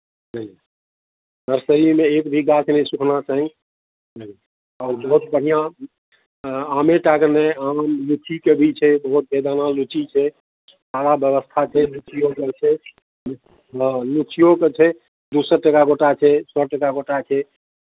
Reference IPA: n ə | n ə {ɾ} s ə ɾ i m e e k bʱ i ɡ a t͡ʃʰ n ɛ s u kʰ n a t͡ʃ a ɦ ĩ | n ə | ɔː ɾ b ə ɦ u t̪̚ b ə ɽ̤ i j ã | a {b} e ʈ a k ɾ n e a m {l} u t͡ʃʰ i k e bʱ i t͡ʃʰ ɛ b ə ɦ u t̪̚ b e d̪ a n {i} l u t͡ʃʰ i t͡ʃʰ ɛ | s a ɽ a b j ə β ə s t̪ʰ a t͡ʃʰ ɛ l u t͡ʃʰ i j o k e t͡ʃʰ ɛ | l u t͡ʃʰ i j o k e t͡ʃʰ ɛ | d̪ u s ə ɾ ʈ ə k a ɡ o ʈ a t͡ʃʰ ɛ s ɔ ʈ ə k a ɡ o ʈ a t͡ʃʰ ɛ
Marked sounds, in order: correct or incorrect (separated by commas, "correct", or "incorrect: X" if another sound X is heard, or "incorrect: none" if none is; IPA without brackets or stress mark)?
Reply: correct, incorrect: m, correct, incorrect: a